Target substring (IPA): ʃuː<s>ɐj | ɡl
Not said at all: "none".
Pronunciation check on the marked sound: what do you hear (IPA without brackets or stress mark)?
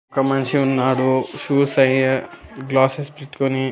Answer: s